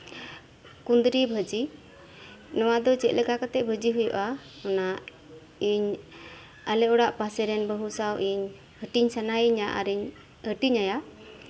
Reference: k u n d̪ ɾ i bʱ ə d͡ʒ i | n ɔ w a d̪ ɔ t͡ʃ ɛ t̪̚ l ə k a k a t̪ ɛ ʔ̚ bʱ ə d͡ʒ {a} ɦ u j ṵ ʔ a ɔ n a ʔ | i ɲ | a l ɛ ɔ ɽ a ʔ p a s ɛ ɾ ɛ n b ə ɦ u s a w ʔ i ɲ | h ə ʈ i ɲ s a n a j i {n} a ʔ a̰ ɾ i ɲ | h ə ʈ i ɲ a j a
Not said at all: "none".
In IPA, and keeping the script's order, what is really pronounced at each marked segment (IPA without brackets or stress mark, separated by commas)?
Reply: i, ɲ